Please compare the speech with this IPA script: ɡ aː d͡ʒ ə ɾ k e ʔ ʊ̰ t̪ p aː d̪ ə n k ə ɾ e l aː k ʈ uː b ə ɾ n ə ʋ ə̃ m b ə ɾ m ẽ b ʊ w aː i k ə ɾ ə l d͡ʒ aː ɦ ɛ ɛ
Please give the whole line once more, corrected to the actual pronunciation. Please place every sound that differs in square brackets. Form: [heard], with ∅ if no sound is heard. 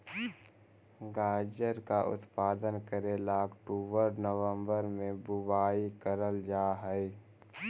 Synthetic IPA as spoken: ɡ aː d͡ʒ ə ɾ k [a] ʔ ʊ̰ t̪ p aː d̪ ə n k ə ɾ e l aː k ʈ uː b ə ɾ n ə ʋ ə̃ m b ə ɾ m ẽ b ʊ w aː i k ə ɾ ə l d͡ʒ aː ɦ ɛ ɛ